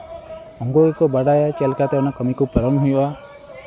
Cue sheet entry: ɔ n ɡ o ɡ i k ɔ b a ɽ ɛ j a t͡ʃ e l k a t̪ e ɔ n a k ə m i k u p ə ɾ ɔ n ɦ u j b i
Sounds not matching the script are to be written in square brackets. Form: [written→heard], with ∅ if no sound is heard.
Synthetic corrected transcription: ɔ [n→ŋ] ɡ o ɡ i k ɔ b a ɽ [ɛ→a] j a t͡ʃ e l k a t̪ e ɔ n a k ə m i k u p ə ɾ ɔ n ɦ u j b [i→a]